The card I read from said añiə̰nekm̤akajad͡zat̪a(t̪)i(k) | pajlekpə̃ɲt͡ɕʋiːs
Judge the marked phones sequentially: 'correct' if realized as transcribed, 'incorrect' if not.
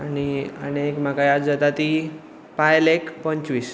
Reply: correct, incorrect

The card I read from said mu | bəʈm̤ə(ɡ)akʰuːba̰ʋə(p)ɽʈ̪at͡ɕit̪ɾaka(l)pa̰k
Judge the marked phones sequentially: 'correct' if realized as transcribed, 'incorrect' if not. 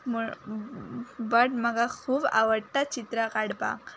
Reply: correct, incorrect, incorrect

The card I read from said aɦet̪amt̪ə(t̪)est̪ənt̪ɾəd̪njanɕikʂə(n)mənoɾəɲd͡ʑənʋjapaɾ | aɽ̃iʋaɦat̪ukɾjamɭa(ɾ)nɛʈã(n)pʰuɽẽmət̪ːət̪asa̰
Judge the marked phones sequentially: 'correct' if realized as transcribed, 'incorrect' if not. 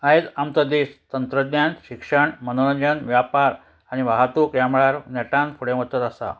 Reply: incorrect, incorrect, correct, correct

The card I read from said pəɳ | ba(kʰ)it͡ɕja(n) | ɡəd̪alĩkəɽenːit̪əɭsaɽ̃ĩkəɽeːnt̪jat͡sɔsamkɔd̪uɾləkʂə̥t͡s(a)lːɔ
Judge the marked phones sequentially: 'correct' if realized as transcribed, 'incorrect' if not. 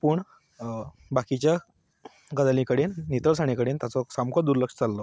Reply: incorrect, incorrect, correct

